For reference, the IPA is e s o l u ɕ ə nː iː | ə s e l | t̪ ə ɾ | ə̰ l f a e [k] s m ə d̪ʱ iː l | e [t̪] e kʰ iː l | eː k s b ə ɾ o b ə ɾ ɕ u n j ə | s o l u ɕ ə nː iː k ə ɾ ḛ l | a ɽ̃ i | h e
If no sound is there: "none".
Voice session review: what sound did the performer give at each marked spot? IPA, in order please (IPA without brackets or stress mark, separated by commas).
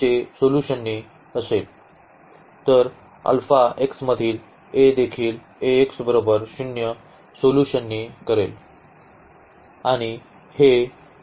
k, d̪